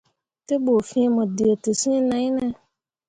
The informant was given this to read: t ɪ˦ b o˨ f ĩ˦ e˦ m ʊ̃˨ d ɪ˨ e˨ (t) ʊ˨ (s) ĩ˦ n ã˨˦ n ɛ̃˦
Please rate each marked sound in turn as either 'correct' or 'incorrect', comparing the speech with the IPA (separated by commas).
correct, correct